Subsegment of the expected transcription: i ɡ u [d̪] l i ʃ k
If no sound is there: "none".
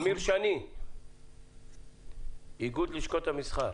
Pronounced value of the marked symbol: d̪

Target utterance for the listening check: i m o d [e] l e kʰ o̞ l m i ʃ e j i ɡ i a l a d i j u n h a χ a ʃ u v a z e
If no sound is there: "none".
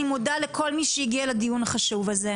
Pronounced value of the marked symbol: a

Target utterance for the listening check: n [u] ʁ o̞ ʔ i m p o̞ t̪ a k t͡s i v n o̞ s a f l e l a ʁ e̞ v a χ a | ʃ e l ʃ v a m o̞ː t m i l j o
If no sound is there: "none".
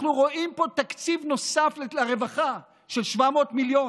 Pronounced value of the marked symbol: u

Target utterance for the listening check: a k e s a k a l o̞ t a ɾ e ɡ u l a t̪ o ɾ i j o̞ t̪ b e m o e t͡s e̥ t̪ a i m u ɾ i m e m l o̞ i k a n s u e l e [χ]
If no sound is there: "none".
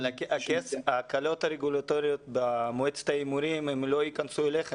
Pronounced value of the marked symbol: χ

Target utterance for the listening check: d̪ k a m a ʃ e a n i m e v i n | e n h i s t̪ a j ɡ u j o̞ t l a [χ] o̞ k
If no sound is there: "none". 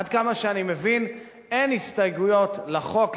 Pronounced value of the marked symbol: χ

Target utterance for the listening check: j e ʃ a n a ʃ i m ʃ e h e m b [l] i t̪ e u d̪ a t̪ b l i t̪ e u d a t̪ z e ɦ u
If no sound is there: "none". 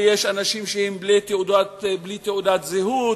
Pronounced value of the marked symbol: l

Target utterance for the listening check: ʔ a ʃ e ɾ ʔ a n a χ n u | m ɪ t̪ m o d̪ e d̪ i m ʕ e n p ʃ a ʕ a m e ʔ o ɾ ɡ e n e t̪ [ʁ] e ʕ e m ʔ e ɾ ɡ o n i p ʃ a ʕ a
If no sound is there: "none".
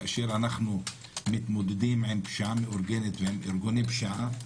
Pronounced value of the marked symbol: v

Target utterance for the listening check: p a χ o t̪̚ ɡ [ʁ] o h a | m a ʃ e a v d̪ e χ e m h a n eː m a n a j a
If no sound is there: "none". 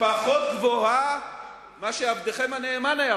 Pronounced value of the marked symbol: v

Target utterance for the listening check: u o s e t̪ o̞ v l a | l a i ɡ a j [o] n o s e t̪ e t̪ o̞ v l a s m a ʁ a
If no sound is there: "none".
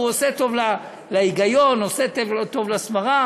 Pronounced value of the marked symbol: o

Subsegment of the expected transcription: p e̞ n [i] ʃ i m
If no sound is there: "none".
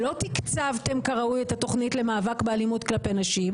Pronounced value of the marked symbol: a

